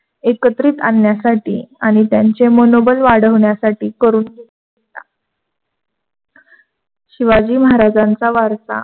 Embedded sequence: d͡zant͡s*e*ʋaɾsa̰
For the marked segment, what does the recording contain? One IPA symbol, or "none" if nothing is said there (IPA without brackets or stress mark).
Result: a